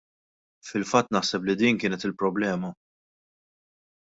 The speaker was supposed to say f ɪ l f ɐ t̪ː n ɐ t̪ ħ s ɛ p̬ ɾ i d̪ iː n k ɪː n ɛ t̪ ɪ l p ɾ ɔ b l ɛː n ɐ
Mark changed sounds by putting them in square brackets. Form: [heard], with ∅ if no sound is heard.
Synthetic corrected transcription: f ɪ l f ɐ t̪ː n ɐ [∅] ħ s ɛ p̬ [l] i d̪ iː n k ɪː n ɛ t̪ ɪ l p ɾ ɔ b l ɛː [m] ɐ